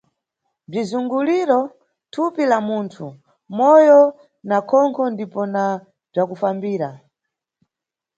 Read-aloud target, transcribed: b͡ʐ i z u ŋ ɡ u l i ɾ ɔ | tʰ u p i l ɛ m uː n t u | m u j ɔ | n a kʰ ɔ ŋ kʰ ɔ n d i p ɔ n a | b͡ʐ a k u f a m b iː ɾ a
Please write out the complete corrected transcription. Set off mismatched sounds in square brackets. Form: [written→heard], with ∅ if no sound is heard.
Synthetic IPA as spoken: b͡ʐ i z u ŋ ɡ u l i ɾ ɔ | tʰ u p i l [ɛ→a] m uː n [t→tʰ] u | m [u→ɔ] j ɔ | n a kʰ ɔ ŋ kʰ ɔ n d i p ɔ n a | b͡ʐ a k u f a m b iː ɾ a